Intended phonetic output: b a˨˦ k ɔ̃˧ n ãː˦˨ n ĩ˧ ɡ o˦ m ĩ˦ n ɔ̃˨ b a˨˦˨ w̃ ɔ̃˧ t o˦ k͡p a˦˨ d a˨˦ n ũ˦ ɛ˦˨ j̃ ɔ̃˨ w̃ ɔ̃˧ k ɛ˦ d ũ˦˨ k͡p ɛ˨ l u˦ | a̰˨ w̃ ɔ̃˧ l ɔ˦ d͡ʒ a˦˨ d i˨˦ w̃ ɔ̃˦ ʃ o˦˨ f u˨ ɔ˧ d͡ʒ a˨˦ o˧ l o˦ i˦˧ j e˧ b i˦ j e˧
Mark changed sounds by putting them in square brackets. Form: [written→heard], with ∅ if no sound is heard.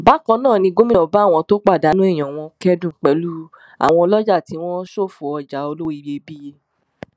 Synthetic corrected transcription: b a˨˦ k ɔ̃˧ n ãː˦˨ n ĩ˧ ɡ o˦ m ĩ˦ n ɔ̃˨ b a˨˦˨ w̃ ɔ̃˧ t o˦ k͡p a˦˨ d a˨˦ n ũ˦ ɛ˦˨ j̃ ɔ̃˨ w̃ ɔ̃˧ k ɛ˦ d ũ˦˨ k͡p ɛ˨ l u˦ | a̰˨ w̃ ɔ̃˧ l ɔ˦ d͡ʒ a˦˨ [d→t] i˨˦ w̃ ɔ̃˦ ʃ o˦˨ f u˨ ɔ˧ d͡ʒ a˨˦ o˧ l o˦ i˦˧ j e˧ b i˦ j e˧